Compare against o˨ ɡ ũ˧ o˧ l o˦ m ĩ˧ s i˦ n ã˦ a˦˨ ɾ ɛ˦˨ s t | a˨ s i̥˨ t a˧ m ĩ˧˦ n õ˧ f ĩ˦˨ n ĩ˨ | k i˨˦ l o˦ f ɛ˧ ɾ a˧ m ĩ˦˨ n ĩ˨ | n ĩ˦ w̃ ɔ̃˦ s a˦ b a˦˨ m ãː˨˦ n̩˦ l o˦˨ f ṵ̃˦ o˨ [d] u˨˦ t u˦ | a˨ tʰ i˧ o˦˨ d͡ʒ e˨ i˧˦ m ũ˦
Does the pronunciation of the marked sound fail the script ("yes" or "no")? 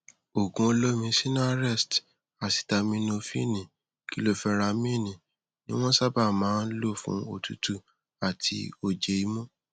yes